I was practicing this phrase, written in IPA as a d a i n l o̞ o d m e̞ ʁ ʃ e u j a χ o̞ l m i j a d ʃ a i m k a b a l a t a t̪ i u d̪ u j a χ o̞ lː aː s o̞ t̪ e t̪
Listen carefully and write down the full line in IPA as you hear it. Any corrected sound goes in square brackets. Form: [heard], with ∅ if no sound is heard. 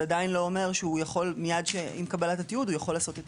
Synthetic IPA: a d a i n l o̞ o [∅] m e̞ ʁ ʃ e u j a χ o̞ l m i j a d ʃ [e] i m k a b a l a t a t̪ i u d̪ u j a χ o̞ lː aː s o̞ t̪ e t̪